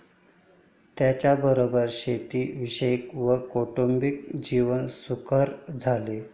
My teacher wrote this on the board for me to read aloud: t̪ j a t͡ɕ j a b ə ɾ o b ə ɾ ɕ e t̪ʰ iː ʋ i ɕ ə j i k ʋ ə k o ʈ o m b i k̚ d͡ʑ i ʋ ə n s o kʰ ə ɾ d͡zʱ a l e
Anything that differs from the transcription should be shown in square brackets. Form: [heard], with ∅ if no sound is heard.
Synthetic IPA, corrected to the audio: t̪ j a t͡ɕ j a b ə ɾ o b ə ɾ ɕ e [t̪] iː ʋ i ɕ ə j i k ʋ ə k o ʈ o m b i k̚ d͡ʑ i ʋ ə n s [u] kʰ ə ɾ d͡zʱ a l e